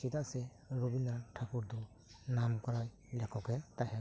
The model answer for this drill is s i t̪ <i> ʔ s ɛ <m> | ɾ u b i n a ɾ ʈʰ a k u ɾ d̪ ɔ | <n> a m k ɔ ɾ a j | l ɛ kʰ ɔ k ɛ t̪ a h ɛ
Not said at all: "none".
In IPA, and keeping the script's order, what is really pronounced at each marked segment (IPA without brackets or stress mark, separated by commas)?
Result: a, none, n